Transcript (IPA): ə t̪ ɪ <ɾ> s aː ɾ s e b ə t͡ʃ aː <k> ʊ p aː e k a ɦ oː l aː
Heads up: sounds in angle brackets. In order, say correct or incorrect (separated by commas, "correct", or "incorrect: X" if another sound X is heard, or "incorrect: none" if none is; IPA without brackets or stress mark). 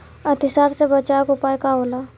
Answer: incorrect: none, correct